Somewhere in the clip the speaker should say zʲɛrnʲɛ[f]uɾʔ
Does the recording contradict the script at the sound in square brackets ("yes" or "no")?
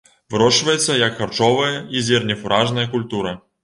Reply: no